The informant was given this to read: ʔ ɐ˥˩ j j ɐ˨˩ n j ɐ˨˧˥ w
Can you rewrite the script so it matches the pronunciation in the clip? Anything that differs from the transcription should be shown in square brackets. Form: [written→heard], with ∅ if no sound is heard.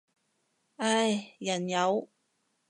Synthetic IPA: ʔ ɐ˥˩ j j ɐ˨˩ n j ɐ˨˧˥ w